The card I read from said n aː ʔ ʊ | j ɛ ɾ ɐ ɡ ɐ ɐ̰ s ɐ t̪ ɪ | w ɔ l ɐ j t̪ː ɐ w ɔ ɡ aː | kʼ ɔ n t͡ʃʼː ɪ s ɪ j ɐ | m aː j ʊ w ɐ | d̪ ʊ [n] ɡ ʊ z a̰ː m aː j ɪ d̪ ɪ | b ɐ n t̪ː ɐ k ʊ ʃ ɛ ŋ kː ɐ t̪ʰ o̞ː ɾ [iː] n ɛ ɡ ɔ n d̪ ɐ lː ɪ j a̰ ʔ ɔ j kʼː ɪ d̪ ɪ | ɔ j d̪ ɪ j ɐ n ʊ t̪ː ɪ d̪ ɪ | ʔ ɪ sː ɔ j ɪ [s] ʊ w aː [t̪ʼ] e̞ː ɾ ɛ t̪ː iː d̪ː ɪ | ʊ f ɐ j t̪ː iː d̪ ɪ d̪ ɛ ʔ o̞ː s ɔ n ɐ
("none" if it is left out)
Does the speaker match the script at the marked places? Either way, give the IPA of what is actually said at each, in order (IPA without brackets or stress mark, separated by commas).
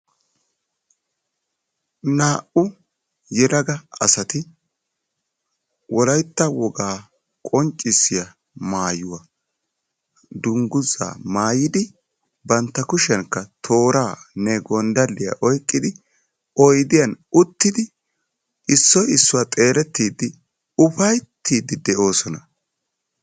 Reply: ŋ, aː, sː, t̪ʼ